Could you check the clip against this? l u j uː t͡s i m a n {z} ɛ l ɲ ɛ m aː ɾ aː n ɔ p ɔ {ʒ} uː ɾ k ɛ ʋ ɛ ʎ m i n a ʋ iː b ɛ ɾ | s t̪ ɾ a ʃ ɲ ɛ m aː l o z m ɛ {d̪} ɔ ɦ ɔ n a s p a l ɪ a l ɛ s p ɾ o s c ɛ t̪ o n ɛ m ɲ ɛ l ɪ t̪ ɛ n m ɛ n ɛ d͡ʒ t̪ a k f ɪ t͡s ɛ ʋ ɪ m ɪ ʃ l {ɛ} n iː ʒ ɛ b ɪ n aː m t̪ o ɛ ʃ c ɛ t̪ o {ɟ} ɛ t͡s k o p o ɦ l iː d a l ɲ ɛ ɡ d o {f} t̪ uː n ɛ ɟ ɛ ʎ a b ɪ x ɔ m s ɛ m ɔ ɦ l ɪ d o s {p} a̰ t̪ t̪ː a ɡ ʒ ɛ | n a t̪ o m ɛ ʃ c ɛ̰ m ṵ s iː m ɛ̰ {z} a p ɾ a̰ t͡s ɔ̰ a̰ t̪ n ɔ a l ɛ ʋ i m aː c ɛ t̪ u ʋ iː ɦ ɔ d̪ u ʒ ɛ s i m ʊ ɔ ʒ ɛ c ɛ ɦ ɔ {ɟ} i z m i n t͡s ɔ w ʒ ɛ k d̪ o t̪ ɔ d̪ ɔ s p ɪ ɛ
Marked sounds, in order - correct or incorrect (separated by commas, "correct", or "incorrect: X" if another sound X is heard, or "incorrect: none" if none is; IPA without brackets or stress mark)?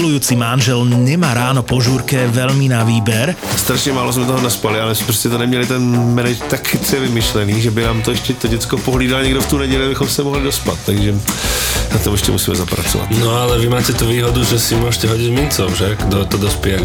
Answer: incorrect: ʒ, correct, incorrect: t̪, correct, correct, correct, correct, correct, correct